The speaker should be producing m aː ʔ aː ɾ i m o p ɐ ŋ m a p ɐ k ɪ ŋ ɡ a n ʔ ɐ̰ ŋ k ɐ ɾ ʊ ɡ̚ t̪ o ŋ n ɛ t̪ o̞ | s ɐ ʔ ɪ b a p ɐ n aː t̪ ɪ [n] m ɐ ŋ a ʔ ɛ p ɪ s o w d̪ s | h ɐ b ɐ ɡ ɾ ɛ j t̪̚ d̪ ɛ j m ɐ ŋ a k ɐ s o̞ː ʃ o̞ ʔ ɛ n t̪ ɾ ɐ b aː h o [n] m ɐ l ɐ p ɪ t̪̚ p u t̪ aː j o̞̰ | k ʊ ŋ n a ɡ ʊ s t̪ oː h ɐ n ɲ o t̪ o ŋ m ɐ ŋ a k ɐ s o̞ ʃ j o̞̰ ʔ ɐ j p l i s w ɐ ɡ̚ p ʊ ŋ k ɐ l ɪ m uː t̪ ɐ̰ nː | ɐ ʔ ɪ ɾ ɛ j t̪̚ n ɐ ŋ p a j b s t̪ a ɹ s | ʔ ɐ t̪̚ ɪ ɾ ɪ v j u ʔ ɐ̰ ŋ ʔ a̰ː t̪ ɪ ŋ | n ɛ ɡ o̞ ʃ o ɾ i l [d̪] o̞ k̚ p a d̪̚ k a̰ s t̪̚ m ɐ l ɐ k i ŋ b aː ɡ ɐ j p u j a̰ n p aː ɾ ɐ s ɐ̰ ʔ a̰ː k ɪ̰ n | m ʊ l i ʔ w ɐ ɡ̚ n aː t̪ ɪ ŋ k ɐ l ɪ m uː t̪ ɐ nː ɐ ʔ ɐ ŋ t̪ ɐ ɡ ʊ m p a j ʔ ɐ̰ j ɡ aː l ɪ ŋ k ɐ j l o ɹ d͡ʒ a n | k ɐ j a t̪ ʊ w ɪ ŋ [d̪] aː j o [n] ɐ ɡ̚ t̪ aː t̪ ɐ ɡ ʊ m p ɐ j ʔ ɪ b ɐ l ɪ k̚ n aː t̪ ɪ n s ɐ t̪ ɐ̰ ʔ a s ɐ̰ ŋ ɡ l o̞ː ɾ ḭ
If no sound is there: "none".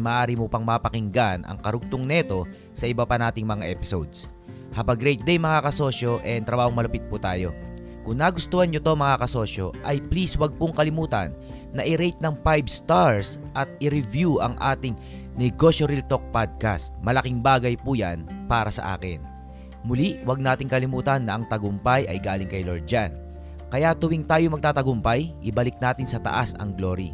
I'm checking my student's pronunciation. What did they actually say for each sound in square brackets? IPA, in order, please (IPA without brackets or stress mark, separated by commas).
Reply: ŋ, ŋ, t̪, t̪, m